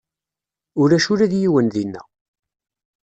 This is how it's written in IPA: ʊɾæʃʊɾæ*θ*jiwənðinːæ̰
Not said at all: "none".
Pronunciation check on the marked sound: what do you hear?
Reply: ð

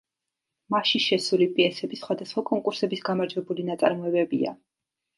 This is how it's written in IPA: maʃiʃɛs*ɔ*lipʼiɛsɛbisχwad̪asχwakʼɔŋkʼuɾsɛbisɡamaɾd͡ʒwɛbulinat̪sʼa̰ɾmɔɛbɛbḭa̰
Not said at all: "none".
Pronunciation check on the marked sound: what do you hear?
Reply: u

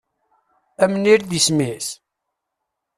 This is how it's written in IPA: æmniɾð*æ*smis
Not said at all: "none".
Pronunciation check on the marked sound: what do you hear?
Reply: i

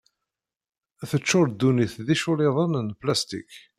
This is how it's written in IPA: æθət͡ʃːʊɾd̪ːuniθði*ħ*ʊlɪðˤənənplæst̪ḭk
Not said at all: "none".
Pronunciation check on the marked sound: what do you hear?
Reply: ʃ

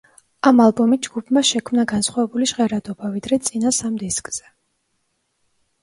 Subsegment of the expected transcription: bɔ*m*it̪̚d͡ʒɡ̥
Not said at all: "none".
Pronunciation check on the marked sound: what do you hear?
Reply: m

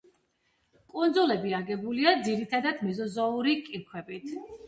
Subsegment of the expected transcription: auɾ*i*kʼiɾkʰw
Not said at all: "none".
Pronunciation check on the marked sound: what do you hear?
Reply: i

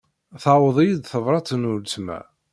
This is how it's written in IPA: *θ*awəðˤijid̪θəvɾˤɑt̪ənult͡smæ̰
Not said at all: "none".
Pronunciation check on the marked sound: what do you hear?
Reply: θ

